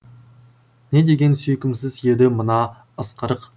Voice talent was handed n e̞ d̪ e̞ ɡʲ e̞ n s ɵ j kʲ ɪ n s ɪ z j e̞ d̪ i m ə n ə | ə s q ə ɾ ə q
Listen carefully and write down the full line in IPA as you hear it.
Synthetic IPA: n e̞ d̪ e̞ ɡʲ e̞ n s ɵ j kʲ ɪ m s ɪ z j e̞ d̪ ɪ m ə n ɑ | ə s q ə ɾ ə q